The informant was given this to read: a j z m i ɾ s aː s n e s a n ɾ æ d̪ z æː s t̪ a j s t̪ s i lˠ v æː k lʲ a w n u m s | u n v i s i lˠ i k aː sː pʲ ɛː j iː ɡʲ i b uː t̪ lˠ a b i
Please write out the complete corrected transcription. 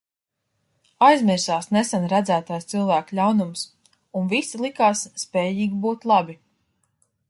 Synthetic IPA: a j z m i ɾ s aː s n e s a n ɾ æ d̪ z æː t̪ a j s t̪ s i lˠ v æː k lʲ a w n u m s | u n v i s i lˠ i k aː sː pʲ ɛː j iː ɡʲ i b uː t̪ lˠ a b i